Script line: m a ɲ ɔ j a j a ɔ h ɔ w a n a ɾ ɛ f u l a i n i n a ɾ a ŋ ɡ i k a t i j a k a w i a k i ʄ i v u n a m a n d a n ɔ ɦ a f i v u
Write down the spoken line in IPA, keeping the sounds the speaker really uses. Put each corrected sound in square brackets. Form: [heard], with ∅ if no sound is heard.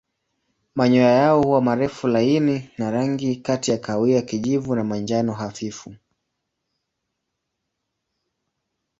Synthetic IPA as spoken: m a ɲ ɔ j a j a ɔ h [u] w a [m] a ɾ ɛ f u l a i n i n a ɾ a ŋ ɡ i k a t i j a k a w i a k i ʄ i v u n a m a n [d͡ʒ] a n ɔ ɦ a f i [f] u